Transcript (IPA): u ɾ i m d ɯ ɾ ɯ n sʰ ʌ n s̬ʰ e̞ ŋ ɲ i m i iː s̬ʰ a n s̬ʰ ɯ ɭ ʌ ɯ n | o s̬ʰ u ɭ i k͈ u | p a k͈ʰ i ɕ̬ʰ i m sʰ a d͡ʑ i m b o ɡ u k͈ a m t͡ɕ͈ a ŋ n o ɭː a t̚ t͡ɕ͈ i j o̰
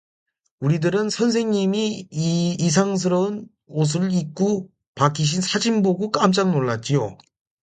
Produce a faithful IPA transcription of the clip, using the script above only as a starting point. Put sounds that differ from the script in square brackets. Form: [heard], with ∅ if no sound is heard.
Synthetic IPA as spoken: u ɾ i [∅] d ɯ ɾ ɯ n sʰ ʌ n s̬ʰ e̞ ŋ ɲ i m i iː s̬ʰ a [ŋ] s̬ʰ ɯ [ɾ] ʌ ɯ n | o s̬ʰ [ɯ] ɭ i k͈ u | p a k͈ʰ i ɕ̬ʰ i [n] sʰ a d͡ʑ i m b o ɡ u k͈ a m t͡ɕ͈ a ŋ n o ɭː a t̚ t͡ɕ͈ i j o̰